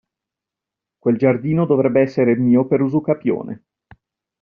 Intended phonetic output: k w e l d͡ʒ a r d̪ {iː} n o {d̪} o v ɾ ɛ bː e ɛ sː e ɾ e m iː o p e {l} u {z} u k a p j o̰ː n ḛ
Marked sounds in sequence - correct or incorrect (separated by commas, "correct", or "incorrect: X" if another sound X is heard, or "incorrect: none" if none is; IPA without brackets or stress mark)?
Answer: correct, correct, incorrect: ɾ, correct